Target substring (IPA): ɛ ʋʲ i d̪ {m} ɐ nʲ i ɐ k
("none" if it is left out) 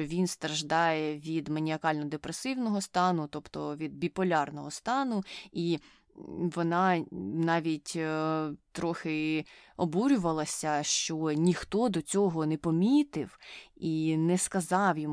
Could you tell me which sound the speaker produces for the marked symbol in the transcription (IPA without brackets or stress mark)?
m